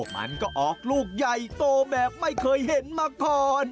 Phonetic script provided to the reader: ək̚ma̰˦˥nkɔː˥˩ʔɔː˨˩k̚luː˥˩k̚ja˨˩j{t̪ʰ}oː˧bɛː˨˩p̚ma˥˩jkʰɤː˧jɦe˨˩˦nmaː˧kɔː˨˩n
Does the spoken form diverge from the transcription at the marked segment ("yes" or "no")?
yes